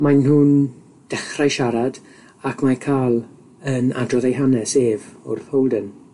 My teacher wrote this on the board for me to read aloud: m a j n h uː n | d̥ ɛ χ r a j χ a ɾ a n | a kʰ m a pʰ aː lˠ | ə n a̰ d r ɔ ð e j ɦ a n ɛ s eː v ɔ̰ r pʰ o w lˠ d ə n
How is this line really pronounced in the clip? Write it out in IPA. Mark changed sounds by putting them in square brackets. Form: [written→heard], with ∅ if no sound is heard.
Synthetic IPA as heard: m a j n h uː n | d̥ ɛ χ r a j [χ→ʃ] a ɾ a [n→d] | a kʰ m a [pʰ→kʰ] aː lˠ | ə n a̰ d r ɔ ð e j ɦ a n ɛ s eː v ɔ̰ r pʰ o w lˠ d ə n